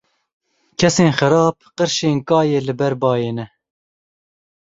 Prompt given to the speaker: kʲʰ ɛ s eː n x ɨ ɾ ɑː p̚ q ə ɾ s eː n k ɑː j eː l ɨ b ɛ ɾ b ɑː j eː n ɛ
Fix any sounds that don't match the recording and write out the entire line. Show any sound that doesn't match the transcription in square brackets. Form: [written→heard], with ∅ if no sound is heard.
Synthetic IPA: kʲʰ ɛ s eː n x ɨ ɾ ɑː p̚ q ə ɾ [s→ʃ] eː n k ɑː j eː l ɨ b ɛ ɾ b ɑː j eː n ɛ